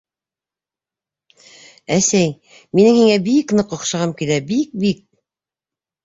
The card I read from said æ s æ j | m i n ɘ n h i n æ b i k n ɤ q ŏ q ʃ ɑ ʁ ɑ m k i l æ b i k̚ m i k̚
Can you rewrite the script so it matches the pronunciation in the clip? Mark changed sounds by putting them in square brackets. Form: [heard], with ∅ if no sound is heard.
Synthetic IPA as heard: æ s æ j | m i n ɘ [ŋ] h i [ŋ] æ b i k n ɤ q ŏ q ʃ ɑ ʁ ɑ m k i l æ b i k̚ [b] i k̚